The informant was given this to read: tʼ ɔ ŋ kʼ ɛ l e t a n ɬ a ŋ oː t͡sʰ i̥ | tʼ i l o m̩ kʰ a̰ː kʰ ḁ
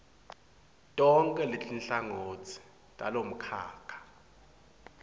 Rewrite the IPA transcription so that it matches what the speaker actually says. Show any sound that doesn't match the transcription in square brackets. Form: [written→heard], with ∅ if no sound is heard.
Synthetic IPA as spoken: tʼ ɔ ŋ kʼ ɛ l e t [a→i] n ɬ a ŋ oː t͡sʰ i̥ | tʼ [i→a] l o m̩ kʰ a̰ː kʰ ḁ